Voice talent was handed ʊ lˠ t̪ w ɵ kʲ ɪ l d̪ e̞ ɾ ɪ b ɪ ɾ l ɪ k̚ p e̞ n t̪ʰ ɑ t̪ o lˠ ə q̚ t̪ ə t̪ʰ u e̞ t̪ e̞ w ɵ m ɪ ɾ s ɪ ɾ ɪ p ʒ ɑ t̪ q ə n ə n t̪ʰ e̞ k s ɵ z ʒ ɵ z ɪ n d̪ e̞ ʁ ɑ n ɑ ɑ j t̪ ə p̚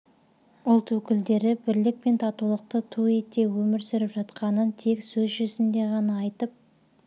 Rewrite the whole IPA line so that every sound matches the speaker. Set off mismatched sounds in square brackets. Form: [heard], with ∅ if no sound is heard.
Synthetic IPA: ʊ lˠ t̪ w ɵ kʲ ɪ l d̪ e̞ ɾ ɪ b ɪ ɾ l ɪ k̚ p e̞ n t̪ʰ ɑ t̪ [u] lˠ ə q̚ t̪ ə t̪ʰ u e̞ t̪ e̞ w ɵ m ɪ ɾ s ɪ ɾ ɪ p ʒ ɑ t̪ q [ɑ] n ə n t̪ʰ e̞ k s ɵ z ʒ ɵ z ɪ n d̪ e̞ ʁ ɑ n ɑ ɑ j t̪ ə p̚